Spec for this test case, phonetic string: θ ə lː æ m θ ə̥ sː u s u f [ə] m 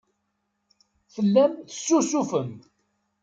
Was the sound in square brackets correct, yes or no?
yes